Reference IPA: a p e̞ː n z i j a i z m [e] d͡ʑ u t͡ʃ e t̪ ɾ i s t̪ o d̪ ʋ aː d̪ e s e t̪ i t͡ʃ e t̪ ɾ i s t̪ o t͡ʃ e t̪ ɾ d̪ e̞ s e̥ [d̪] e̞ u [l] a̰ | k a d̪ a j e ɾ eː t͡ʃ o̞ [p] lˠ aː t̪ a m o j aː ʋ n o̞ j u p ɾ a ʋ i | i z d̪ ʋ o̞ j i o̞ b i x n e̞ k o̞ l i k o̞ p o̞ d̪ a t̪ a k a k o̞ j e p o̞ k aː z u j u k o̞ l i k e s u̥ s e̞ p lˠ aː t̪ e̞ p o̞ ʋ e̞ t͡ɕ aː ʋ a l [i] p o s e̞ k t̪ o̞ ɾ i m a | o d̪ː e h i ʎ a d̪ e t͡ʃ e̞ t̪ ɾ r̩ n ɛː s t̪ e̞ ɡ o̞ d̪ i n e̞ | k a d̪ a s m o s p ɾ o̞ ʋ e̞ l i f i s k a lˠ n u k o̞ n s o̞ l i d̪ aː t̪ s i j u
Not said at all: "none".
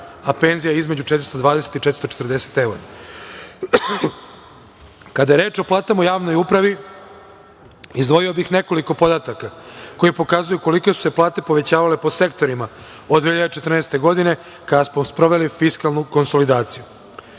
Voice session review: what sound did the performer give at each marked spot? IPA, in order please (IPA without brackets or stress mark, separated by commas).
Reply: e, t̪, ɾ, p, e